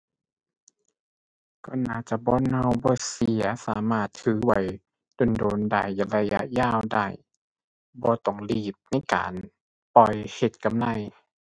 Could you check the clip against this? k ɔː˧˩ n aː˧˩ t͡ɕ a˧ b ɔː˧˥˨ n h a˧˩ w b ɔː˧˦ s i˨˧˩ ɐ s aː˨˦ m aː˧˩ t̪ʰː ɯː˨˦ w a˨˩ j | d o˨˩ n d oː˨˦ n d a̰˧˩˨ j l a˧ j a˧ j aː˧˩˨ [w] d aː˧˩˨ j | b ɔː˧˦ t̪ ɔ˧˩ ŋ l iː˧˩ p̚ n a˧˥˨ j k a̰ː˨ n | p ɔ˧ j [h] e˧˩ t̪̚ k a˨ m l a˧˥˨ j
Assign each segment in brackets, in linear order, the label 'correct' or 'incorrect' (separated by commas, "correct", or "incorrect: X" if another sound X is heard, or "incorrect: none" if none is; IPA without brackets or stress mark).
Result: correct, correct